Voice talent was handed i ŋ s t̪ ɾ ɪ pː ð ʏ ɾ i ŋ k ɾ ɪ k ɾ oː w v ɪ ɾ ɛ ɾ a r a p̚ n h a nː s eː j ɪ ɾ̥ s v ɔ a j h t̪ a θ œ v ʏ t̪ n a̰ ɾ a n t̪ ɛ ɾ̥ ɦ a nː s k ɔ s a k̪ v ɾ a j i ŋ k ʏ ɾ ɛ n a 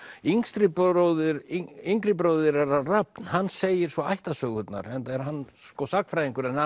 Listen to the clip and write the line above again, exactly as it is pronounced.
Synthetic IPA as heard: i ŋ s t̪ ɾ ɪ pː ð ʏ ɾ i ŋ k ɾ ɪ p ɾ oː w ð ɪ ɾ ɛ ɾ a r a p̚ n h a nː s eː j ɪ ɾ̥ s v ɔ a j h t̪ a s œ ɣ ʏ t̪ n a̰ ɾ ɛ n t̪ ɛ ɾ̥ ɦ a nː s k ɔ s a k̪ f ɾ a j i ŋ k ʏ ɾ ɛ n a